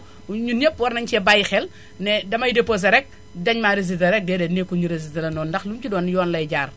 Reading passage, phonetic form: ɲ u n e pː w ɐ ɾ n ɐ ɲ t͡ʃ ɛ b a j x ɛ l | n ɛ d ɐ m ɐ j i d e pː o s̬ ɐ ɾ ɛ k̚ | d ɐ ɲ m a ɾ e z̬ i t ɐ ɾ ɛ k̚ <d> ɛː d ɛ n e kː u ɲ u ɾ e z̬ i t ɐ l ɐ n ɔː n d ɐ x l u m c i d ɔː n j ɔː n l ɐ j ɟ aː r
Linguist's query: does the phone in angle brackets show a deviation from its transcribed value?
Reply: no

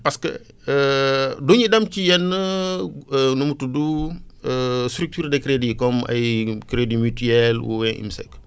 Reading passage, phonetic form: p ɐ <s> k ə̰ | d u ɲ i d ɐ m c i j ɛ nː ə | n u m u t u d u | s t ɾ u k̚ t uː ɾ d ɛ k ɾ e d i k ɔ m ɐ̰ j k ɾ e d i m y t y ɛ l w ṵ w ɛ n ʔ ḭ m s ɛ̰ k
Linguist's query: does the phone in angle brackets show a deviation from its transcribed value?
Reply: no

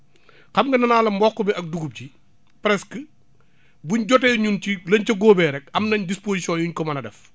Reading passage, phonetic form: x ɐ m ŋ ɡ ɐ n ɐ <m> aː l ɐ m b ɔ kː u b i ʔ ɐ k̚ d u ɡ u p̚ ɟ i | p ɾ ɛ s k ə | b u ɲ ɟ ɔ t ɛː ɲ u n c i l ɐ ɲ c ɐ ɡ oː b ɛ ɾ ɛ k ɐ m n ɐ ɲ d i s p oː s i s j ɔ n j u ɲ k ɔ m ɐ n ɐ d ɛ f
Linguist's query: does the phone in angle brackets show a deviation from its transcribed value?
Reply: yes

